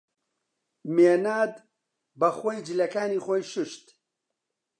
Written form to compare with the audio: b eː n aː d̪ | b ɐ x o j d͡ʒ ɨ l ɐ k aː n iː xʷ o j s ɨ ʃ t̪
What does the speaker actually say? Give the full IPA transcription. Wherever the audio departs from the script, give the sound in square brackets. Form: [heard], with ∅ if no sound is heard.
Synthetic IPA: [m] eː n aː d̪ | b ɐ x o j d͡ʒ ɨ l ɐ k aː n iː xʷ o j [ʃ] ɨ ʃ t̪